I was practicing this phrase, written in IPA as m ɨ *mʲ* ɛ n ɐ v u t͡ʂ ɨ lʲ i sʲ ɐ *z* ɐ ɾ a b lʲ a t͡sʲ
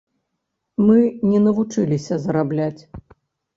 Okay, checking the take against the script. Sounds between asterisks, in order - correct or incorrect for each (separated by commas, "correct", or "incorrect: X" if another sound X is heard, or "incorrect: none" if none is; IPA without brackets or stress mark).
incorrect: nʲ, correct